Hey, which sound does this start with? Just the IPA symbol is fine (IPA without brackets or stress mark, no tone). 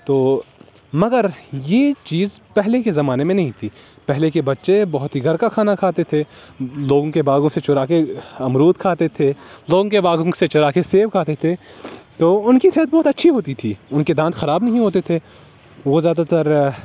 t̪